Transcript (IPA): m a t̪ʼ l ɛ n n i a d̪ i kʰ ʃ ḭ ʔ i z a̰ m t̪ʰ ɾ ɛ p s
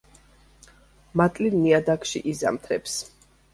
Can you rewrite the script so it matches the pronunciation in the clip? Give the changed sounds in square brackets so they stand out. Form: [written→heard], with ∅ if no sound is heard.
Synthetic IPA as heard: m a t̪ʼ l [ɛ→i] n n i a d̪ [i→a] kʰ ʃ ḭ ʔ i z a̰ m t̪ʰ ɾ ɛ p s